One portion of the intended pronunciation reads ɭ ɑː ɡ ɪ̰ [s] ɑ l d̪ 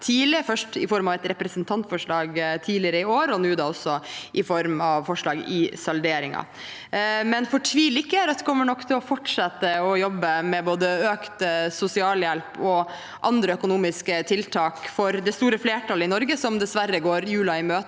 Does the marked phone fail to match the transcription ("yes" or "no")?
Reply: no